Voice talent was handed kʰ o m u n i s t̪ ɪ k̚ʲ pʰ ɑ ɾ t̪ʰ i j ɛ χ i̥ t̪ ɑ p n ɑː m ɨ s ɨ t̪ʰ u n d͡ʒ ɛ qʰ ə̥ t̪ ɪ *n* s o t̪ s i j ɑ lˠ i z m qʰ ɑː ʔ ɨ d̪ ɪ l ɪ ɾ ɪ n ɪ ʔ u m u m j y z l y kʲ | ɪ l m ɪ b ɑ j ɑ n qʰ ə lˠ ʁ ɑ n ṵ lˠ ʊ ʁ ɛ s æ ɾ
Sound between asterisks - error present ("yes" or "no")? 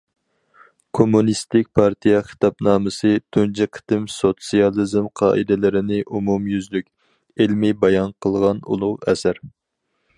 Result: yes